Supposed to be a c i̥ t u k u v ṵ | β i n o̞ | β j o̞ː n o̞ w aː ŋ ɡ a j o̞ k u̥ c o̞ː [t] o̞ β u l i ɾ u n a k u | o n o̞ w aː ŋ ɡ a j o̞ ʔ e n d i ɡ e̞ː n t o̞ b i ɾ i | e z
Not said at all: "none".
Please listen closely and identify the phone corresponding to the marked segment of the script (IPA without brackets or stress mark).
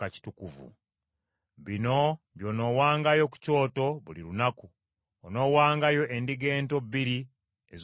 t